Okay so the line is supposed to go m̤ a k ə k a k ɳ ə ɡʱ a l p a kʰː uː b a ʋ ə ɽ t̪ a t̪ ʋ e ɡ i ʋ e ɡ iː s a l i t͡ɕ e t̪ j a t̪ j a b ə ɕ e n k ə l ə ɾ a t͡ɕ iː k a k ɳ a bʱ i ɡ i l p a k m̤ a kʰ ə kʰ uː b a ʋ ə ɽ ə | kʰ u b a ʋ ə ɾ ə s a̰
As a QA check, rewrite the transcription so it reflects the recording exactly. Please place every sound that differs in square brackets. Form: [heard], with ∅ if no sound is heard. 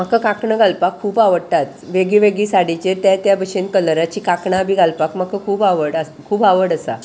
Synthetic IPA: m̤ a k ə k a k ɳ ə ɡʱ a l p a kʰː uː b a ʋ ə ɽ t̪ a t̪ ʋ e ɡ i ʋ e ɡ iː s a [ɽ] i t͡ɕ e t̪ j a t̪ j a b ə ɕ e n k ə l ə ɾ a t͡ɕ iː k a k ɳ a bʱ i ɡ [a] l p a k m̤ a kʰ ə kʰ uː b a ʋ ə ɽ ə | kʰ [uː] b a ʋ ə [ɽ] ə s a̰